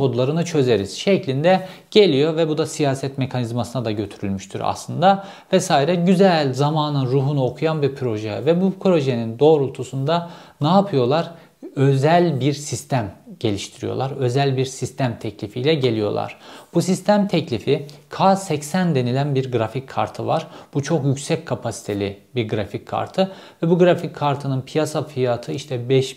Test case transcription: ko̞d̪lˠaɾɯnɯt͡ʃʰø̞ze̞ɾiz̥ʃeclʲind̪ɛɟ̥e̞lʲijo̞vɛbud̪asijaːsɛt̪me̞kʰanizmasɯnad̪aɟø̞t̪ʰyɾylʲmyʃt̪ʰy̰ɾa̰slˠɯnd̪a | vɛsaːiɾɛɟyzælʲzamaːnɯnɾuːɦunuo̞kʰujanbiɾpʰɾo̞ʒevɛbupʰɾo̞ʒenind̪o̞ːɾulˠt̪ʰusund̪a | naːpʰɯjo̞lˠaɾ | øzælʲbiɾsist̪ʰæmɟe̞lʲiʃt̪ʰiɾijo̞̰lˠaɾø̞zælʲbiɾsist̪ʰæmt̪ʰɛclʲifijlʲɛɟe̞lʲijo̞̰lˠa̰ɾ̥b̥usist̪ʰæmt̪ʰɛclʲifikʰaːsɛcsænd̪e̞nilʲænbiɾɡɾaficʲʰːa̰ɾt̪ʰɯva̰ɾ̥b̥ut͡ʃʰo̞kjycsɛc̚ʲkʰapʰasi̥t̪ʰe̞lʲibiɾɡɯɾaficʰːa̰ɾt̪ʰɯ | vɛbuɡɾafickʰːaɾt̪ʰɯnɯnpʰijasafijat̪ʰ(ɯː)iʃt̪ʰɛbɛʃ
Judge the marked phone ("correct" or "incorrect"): incorrect